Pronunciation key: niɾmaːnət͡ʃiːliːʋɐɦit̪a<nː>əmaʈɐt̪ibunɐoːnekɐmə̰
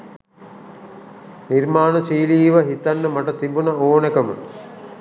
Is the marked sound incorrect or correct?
correct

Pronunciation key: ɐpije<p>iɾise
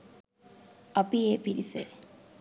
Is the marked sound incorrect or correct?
correct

